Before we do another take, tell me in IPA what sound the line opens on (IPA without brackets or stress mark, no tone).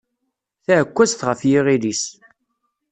θ